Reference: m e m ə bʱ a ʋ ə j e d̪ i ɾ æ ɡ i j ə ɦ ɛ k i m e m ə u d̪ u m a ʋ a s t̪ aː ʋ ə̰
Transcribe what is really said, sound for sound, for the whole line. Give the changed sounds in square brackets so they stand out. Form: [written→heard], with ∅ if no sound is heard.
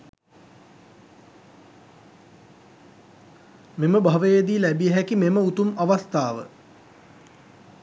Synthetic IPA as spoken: m e m ə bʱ a ʋ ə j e d̪ i [ɾ→l] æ [ɡ→b] i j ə ɦ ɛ k i m e m ə u [d̪→t̪] u m a ʋ a s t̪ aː ʋ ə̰